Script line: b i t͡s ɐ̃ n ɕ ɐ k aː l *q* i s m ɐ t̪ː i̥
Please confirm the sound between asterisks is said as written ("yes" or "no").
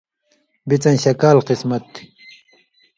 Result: yes